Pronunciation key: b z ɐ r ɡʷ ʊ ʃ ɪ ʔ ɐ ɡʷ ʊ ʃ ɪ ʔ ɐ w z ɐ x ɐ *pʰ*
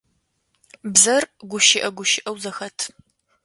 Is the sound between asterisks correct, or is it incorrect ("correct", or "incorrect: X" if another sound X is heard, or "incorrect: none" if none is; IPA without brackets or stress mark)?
incorrect: tʰ